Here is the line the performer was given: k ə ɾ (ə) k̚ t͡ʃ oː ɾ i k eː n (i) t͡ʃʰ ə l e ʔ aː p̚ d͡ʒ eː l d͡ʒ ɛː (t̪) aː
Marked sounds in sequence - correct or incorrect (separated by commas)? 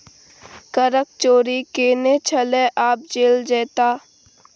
correct, incorrect, correct